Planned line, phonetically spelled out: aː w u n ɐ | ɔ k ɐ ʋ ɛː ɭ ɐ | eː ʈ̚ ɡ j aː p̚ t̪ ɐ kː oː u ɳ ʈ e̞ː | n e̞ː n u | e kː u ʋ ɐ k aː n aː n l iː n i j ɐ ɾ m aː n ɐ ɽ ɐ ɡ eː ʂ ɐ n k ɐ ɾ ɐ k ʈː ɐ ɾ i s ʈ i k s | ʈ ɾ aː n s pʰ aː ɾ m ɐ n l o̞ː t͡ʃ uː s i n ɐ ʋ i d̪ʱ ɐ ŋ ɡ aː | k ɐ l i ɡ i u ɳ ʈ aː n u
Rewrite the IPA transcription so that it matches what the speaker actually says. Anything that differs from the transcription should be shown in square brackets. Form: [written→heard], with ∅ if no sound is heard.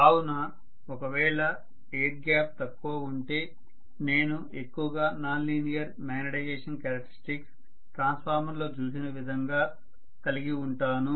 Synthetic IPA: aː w u n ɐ | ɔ k ɐ ʋ ɛː ɭ ɐ | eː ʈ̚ ɡ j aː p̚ t̪ ɐ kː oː u ɳ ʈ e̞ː | n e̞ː n u | e kː u ʋ ɐ [k→ɡ] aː n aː n l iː n i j ɐ ɾ m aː n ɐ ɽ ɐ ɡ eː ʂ ɐ n k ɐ ɾ ɐ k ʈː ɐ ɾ i s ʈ i k s | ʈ ɾ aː n s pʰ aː ɾ m ɐ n l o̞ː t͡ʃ uː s i n ɐ ʋ i d̪ʱ ɐ ŋ ɡ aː | k ɐ l i ɡ i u ɳ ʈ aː n u